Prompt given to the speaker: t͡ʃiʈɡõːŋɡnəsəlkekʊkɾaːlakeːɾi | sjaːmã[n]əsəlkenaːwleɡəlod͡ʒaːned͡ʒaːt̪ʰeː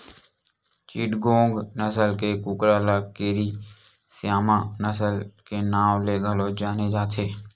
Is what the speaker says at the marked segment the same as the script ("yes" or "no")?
yes